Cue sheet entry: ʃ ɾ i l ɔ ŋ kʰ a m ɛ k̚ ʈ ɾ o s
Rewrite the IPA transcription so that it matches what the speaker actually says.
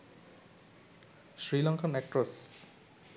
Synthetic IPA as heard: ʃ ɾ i l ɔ ŋ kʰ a n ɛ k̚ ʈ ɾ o s